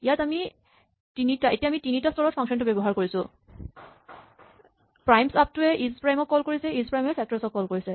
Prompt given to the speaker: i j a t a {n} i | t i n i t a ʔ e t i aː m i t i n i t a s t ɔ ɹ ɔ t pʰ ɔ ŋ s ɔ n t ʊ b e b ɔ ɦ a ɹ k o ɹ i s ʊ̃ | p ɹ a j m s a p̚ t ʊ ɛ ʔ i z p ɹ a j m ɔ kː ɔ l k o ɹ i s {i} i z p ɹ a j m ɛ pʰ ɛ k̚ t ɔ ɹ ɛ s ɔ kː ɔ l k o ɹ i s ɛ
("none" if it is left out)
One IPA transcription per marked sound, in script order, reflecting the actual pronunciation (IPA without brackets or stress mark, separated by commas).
m, ɛ